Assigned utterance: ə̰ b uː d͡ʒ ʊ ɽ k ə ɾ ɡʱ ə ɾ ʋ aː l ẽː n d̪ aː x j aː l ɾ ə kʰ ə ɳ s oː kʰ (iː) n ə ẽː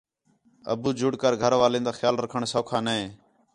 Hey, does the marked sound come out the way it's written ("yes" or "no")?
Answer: no